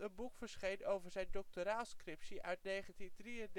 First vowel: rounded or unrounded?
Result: unrounded